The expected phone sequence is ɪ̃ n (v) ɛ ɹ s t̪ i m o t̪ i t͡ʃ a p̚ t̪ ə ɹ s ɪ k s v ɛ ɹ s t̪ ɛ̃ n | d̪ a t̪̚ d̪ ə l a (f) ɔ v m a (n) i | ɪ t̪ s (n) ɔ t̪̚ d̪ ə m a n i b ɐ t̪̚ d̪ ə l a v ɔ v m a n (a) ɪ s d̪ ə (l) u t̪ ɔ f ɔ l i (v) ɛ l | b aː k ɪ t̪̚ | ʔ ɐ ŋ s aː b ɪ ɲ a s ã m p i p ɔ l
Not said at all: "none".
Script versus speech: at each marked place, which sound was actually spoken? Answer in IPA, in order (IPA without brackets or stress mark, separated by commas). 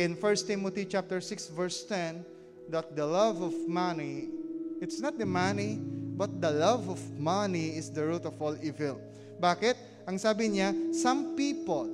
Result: f, v, n, n, i, ɹ, v